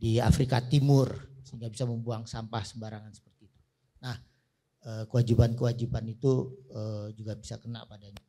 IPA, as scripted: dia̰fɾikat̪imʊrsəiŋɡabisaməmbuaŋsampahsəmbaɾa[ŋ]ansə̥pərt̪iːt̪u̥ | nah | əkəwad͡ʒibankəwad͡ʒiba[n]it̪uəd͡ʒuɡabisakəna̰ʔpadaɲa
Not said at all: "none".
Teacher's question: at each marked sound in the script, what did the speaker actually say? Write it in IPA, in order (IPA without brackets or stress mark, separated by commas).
ŋ, n